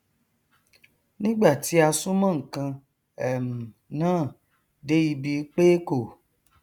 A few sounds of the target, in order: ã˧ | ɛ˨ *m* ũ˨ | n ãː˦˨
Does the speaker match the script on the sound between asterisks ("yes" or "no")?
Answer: yes